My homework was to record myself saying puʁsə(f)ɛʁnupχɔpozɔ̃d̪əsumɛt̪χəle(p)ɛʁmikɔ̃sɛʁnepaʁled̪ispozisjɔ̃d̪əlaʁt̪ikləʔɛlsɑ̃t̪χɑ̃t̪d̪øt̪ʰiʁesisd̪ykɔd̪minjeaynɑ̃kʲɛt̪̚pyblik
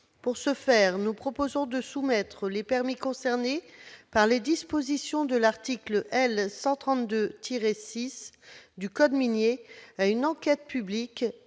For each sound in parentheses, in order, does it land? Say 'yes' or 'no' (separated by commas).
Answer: yes, yes